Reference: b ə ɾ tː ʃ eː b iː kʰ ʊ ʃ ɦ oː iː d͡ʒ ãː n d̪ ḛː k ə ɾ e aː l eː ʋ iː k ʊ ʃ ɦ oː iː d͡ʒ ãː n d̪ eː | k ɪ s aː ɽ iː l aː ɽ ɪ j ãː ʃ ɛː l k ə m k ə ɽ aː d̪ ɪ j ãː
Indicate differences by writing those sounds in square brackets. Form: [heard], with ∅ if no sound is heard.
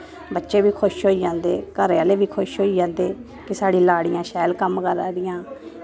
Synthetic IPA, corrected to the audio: b ə [∅] tː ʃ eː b iː kʰ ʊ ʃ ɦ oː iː d͡ʒ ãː n d̪ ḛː k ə ɾ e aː l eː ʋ iː [kʰ] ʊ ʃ ɦ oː iː d͡ʒ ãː n d̪ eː | k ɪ s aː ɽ iː l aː ɽ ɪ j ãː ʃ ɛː l k ə m k ə [ɾ] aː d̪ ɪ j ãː